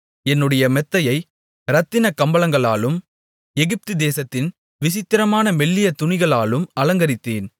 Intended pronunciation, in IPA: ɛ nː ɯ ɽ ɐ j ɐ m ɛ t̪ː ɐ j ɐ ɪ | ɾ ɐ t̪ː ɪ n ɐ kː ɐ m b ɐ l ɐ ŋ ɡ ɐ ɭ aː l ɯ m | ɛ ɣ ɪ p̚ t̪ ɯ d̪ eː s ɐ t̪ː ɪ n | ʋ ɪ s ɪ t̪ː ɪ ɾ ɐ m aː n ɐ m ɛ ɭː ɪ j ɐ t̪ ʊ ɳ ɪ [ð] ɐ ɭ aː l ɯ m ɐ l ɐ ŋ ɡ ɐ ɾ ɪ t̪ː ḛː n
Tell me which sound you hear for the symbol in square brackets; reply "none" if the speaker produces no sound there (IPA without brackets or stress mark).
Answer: ɣ